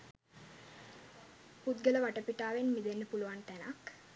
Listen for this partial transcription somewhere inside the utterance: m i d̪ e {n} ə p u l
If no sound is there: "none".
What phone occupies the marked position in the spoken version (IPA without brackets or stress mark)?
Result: nː